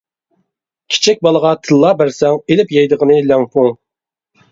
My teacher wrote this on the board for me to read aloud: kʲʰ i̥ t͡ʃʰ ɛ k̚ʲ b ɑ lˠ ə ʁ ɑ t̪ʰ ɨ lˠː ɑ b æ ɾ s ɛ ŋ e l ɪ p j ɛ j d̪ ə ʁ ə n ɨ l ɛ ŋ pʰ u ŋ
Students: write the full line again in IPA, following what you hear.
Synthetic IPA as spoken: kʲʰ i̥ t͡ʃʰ ɛ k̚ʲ b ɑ lˠ ə ʁ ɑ t̪ʰ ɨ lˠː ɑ b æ ɾ s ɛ ŋ e l ɪ p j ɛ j d̪ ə ʁ ə n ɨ l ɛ ŋ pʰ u ŋ